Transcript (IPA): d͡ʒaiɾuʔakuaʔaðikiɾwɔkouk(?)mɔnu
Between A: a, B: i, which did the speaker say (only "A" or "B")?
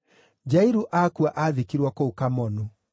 A